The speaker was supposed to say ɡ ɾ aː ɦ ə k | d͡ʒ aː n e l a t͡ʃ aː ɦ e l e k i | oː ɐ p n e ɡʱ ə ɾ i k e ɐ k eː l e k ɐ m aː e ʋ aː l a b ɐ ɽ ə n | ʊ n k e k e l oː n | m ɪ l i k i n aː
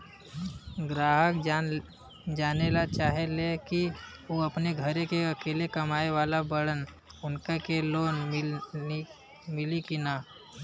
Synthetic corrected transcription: ɡ ɾ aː ɦ ə k | d͡ʒ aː n e l a t͡ʃ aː ɦ e l e k i | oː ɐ p n e ɡʱ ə ɾ e k e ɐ k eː l e k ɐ m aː e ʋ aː l a b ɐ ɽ ə n | ʊ n k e k e l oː n | m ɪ l i k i n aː